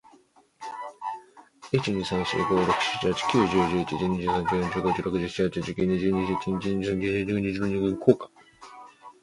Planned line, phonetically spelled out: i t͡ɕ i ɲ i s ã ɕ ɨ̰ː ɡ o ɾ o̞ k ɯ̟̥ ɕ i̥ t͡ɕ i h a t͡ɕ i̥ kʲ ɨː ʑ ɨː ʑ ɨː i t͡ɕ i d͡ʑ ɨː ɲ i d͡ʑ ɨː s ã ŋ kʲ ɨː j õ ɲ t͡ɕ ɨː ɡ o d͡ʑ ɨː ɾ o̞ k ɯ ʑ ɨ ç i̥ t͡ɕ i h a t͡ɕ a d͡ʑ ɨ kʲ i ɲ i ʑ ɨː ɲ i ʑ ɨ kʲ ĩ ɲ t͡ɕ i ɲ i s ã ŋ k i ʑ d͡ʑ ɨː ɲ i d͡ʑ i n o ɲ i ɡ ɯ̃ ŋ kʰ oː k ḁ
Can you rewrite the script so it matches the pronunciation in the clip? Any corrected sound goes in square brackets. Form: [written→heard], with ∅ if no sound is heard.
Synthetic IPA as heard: i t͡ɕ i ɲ i s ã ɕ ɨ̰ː ɡ o ɾ o̞ k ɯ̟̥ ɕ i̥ t͡ɕ i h a t͡ɕ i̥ kʲ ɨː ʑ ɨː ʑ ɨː i t͡ɕ i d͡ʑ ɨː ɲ i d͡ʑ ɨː s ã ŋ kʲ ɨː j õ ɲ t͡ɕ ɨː ɡ o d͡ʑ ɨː ɾ o̞ k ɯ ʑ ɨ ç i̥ t͡ɕ i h a t͡ɕ [a→i] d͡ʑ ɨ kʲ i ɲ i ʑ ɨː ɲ i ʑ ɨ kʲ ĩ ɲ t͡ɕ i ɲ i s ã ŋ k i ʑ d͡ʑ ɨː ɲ i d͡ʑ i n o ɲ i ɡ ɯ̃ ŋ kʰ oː k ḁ